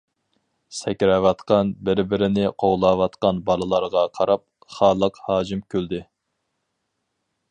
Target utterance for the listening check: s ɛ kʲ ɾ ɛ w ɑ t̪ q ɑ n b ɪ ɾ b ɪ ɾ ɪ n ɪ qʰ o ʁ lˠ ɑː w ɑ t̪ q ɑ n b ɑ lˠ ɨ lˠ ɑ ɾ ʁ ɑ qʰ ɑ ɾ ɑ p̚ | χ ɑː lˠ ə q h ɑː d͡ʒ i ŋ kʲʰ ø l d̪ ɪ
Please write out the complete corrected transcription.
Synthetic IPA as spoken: s ɛ kʲ ɾ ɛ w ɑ t̪ q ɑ n b ɪ ɾ b ɪ ɾ ɪ n ɪ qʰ o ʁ lˠ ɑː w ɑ t̪ q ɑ n b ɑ lˠ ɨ lˠ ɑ ɾ ʁ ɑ qʰ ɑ ɾ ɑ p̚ | χ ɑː lˠ ə q h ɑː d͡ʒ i m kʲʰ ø l d̪ ɪ

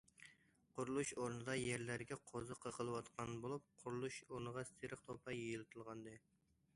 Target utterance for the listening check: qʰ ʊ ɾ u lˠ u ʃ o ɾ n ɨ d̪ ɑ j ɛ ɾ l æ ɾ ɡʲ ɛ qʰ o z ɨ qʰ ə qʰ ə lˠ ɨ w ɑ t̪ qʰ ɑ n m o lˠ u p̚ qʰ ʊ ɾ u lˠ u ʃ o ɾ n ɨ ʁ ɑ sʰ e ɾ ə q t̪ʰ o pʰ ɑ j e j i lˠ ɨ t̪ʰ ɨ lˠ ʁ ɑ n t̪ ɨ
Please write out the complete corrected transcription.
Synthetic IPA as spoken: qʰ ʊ ɾ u lˠ u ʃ o ɾ n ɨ d̪ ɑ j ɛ ɾ l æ ɾ ɡʲ ɛ qʰ o z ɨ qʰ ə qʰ ə lˠ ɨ w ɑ t̪ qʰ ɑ n b o lˠ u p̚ qʰ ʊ ɾ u lˠ u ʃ o ɾ n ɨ ʁ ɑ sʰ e ɾ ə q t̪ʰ o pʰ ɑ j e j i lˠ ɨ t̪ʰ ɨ lˠ ʁ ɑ n d̪ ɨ

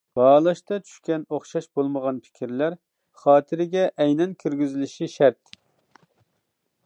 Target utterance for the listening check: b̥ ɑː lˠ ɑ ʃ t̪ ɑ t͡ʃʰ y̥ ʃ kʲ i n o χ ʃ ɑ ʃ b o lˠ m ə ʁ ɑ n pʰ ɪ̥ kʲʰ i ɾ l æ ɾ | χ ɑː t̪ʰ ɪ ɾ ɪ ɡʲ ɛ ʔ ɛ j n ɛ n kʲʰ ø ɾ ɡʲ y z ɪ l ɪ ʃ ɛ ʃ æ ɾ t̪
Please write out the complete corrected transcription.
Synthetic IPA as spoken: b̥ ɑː lˠ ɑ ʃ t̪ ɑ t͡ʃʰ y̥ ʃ kʲ ɛ n o χ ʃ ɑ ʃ b o lˠ m ə ʁ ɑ n pʰ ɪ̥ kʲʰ i ɾ l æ ɾ | χ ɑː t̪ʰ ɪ ɾ ɪ ɡʲ ɛ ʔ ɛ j n ɛ n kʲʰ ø ɾ ɡʲ y z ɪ l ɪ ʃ i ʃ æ ɾ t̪

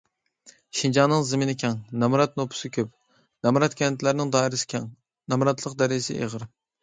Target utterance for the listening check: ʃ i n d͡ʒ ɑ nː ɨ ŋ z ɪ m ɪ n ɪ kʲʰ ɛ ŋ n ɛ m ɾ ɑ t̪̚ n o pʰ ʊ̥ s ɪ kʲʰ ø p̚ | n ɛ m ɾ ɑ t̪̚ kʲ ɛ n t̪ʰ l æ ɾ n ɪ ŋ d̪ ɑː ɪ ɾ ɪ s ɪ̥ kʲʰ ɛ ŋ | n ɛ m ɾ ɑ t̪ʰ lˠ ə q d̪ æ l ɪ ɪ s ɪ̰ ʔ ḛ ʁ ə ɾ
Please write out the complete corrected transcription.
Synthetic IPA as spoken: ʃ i n d͡ʒ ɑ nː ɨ ŋ z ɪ m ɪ n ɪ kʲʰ ɛ ŋ n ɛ m ɾ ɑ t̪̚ n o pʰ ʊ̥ s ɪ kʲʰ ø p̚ | n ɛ m ɾ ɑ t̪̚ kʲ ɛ n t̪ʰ l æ ɾ n ɪ ŋ d̪ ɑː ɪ ɾ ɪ s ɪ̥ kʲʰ ɛ ŋ | n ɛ m ɾ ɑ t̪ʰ lˠ ə q d̪ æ ɾ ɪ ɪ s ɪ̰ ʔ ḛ ʁ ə ɾ

